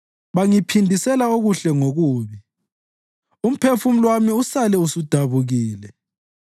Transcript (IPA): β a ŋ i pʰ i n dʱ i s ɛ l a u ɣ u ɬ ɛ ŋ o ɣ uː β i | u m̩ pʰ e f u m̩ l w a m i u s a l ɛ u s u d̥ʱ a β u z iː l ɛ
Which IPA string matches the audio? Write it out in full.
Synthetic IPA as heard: β a ŋ i pʰ i n dʱ i s ɛ l a o ɣ u ɬ ɛ ŋ o ɣ uː β i | u m̩ pʰ e f u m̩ l w a m i u s a l ɛ u s u d̥ʱ a β u ɣ iː l ɛ